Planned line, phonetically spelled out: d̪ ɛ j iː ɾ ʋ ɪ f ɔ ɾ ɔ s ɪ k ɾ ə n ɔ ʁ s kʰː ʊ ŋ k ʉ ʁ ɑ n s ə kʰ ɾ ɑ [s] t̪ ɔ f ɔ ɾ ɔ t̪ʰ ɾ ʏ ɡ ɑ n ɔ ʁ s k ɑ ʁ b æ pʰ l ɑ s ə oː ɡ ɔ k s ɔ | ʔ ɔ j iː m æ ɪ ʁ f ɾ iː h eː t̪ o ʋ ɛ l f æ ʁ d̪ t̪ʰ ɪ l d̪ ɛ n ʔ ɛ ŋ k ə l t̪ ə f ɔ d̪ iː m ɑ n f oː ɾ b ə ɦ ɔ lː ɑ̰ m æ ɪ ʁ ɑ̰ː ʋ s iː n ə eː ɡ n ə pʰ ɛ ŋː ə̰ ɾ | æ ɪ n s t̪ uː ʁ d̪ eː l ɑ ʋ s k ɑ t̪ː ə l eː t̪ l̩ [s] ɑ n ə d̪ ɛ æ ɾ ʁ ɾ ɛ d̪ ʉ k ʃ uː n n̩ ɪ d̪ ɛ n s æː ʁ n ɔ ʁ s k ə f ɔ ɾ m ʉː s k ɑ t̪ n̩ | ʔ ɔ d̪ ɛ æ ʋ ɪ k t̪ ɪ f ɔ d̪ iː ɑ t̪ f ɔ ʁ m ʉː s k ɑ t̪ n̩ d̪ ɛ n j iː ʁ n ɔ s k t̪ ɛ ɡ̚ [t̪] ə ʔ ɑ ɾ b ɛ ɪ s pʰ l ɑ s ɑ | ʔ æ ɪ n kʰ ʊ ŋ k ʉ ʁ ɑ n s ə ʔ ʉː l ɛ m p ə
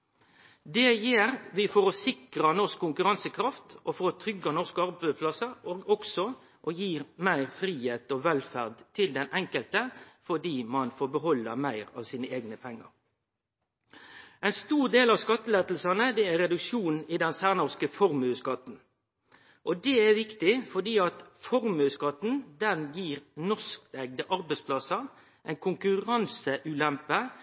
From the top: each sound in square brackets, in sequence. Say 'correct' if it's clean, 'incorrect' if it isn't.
incorrect, correct, incorrect

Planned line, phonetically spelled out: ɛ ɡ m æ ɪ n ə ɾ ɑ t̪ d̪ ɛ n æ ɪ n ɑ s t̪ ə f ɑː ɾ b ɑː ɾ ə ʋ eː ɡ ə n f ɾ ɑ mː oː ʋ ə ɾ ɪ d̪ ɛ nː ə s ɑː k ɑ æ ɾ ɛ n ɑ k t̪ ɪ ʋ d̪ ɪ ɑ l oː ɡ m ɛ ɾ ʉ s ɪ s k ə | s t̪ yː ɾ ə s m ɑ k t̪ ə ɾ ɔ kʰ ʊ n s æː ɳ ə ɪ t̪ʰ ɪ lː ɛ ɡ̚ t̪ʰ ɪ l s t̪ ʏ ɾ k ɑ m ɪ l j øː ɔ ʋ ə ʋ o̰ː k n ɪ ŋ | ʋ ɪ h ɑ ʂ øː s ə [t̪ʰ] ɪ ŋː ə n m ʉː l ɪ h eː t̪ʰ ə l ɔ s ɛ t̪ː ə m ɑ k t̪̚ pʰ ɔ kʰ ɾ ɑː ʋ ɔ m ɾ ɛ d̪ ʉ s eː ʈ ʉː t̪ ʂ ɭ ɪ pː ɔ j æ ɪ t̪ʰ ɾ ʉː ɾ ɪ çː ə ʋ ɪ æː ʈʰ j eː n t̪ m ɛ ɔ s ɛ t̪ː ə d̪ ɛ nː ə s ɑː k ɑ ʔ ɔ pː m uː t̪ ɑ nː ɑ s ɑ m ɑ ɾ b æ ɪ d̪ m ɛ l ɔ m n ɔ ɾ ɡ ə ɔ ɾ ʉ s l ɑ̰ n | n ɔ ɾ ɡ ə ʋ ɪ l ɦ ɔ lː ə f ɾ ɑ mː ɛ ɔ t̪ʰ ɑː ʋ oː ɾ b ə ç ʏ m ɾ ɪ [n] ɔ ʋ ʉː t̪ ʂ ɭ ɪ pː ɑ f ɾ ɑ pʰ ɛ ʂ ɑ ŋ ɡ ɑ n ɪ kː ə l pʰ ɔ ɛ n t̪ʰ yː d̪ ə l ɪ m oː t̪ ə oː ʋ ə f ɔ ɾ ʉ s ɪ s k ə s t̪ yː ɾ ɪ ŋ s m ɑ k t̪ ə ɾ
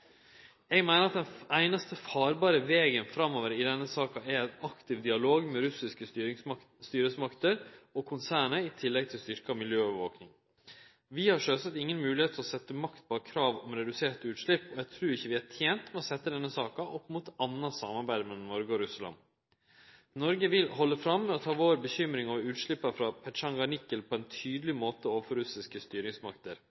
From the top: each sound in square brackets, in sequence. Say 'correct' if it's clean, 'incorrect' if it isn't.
incorrect, incorrect

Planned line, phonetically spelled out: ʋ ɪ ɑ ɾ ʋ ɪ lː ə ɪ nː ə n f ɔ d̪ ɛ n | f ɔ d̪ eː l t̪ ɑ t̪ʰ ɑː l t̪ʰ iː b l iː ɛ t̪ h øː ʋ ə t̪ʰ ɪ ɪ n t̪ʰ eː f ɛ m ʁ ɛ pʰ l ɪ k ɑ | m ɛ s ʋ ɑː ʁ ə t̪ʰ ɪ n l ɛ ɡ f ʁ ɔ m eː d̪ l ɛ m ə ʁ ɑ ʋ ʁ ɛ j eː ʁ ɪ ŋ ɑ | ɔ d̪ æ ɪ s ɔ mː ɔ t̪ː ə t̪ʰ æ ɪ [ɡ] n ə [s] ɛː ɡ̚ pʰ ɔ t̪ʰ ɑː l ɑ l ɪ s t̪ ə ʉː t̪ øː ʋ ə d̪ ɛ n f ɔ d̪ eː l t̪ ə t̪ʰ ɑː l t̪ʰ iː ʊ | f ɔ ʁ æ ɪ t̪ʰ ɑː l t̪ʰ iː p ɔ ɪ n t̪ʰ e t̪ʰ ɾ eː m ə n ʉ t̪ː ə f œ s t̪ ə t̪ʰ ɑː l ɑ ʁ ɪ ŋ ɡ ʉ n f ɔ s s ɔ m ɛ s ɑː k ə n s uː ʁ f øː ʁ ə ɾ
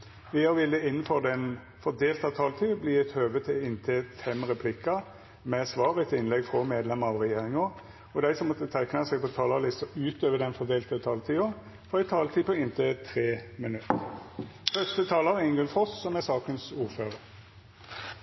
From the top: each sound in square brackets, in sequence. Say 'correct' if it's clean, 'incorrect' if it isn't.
incorrect, correct

